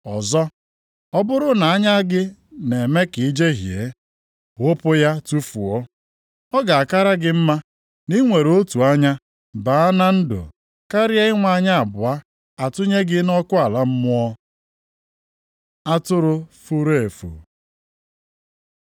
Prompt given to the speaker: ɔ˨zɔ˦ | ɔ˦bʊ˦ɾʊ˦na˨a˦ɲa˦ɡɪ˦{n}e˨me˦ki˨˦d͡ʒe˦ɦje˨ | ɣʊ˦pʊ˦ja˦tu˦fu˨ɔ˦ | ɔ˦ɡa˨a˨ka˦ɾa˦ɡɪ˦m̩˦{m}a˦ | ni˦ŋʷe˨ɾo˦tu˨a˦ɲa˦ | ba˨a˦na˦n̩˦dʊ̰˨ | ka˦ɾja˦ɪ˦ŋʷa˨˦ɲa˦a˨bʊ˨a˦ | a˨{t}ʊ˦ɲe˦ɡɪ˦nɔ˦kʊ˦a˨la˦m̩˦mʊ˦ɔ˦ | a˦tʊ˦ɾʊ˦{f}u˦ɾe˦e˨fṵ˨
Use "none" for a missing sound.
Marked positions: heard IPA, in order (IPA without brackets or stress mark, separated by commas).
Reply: n, m, t, f